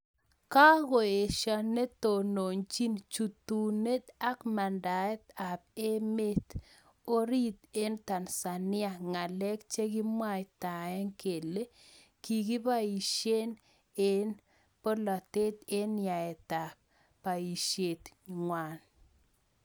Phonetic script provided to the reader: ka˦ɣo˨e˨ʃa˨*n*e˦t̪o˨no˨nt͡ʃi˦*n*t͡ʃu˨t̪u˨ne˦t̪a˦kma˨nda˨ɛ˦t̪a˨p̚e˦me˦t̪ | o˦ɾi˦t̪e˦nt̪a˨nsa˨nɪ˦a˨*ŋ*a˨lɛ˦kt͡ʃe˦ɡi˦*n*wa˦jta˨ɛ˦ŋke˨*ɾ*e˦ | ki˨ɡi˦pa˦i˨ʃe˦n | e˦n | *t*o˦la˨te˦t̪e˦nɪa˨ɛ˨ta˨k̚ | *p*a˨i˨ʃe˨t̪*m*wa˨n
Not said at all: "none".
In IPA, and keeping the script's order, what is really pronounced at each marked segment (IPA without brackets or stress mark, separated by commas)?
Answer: n, n, ŋ, m, l, p, p, ŋ